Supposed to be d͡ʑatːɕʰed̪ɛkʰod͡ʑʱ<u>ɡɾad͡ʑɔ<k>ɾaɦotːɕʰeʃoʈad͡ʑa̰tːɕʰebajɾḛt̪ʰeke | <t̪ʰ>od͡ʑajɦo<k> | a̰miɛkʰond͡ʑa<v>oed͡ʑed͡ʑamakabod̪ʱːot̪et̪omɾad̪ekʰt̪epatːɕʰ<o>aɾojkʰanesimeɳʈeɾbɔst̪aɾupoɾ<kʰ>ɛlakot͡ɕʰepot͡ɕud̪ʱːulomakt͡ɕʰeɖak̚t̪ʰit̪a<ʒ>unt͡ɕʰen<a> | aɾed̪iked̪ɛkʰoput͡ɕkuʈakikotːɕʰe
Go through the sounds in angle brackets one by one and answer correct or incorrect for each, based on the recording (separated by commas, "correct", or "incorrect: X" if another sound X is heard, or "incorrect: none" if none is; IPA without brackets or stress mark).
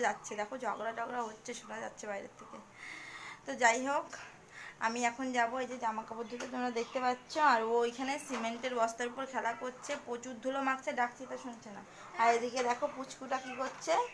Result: incorrect: ɔ, incorrect: ɡ, incorrect: t̪, correct, incorrect: b, correct, correct, incorrect: ʃ, correct